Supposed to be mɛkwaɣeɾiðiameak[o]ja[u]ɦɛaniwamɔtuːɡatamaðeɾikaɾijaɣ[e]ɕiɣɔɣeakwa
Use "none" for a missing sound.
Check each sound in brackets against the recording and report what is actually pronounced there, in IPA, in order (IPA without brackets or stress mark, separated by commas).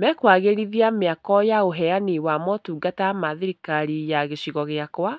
ɔ, o, e